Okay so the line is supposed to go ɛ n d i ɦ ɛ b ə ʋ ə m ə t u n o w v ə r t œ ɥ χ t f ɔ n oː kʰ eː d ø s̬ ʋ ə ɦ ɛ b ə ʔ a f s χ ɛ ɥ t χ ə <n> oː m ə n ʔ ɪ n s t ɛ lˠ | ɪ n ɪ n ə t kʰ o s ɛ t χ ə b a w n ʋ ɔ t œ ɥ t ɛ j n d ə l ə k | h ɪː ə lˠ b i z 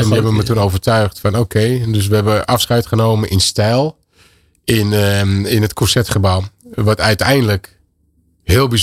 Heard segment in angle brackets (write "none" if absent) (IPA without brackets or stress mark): n